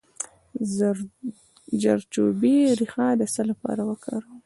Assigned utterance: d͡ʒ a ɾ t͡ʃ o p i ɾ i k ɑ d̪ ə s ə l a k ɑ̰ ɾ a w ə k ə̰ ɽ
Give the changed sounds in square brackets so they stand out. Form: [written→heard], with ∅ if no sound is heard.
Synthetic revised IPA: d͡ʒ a ɾ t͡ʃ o [p→b] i ɾ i [k→x] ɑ d̪ ə s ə l a [k→p] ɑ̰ ɾ a w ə k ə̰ [ɽ→ɾ]